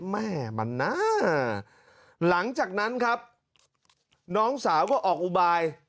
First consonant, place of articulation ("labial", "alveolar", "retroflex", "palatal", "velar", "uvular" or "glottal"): labial